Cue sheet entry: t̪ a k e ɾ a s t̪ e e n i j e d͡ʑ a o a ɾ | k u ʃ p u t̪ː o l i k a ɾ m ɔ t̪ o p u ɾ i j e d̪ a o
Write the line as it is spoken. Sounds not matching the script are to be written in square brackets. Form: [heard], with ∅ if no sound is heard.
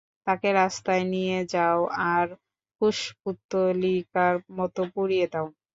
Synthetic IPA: t̪ a k e ɾ a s t̪ [a] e n i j e d͡ʑ a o a ɾ | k u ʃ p u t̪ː o l i k a ɾ m ɔ t̪ o p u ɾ i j e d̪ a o

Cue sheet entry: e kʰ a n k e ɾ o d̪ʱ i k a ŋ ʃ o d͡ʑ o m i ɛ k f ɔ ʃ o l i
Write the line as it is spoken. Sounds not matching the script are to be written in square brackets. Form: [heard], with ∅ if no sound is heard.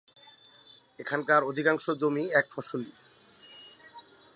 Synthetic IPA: e kʰ a n k [a] ɾ o d̪ʱ i k a ŋ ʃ o d͡ʑ o m i ɛ k f ɔ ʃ o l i

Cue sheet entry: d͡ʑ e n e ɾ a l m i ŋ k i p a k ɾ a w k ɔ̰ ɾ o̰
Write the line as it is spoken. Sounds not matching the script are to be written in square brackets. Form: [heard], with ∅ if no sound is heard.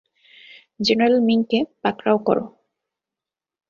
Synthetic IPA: d͡ʑ e n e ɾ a l m i ŋ k [e] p a k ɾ a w k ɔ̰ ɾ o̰

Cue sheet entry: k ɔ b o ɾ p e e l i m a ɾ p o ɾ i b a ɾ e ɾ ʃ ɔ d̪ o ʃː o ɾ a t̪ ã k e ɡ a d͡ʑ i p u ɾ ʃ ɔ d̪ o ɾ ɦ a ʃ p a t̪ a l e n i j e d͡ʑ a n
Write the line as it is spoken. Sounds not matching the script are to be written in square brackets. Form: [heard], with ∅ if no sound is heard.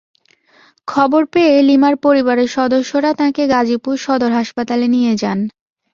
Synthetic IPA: [kʰ] ɔ b o ɾ p e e l i m a ɾ p o ɾ i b a ɾ e ɾ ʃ ɔ d̪ o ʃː o ɾ a t̪ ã k e ɡ a d͡ʑ i p u ɾ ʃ ɔ d̪ o ɾ ɦ a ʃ p a t̪ a l e n i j e d͡ʑ a n

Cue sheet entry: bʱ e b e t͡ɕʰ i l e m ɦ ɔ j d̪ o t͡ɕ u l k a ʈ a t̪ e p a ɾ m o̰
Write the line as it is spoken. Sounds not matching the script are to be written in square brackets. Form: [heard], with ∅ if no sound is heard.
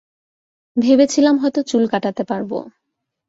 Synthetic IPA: bʱ e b e t͡ɕʰ i l [a] m ɦ ɔ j [t̪] o t͡ɕ u l k a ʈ a t̪ e p a ɾ [b] o̰

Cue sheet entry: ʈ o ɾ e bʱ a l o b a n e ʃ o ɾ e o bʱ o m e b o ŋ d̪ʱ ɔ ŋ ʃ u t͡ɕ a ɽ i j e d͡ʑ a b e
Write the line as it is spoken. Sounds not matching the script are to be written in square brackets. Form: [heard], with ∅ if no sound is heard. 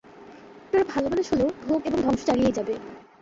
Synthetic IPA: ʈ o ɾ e bʱ a l o b a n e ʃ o [l] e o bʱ o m e b o ŋ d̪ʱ ɔ ŋ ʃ [o] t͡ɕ a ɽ i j e d͡ʑ a b e

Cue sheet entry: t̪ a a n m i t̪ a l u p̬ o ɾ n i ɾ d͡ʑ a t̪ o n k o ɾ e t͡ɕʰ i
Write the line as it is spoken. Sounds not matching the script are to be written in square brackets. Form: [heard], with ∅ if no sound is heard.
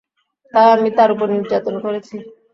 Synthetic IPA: t̪ a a [∅] m i t̪ a [ɾ] u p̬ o ɾ n i ɾ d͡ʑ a t̪ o n k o ɾ e t͡ɕʰ i

